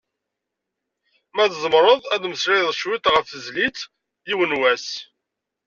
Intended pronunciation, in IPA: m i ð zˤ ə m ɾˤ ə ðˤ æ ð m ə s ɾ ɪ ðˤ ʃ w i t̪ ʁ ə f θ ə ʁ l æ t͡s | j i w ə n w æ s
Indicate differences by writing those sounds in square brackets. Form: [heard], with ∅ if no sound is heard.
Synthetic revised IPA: m [æ] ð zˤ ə m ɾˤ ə ðˤ æ ð m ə s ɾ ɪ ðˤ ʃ w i t̪ ʁ ə f θ ə [z] l [i] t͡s | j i w ə n w æ s